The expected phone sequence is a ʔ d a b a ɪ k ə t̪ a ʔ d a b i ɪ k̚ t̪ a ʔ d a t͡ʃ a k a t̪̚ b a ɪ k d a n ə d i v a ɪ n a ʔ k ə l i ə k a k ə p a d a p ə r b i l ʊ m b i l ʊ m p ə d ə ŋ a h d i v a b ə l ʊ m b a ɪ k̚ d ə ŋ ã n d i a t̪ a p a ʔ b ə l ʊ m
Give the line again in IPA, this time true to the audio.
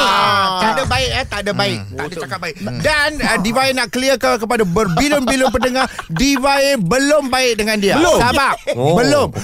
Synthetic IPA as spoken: a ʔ d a b a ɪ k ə t̪ a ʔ d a b a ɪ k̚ t̪ a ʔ d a t͡ʃ a k a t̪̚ b a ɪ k d a n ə d i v a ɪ n a ʔ k ə l i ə k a k ə p a d a b ə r b i l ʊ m b i l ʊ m p ə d ə ŋ a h d i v a b ə l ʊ m b a ɪ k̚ d ə ŋ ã n d i a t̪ a b a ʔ b ə l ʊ m